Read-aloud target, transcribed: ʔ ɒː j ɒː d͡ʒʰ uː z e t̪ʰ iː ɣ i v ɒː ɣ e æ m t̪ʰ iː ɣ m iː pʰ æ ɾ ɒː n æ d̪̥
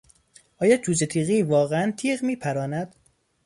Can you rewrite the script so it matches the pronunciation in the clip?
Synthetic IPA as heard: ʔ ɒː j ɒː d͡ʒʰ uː z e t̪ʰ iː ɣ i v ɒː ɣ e æ n t̪ʰ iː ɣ m iː pʰ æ ɾ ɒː n æ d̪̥